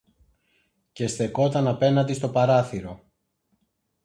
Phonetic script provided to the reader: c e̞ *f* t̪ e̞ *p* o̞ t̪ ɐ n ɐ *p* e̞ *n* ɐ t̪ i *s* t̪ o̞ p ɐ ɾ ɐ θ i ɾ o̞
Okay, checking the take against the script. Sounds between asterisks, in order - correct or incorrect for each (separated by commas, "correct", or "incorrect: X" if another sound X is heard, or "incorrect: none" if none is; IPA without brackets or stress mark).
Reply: incorrect: s, incorrect: k, correct, correct, correct